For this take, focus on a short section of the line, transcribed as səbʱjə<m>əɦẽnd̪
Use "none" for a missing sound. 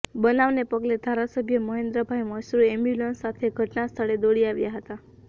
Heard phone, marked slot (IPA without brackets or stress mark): m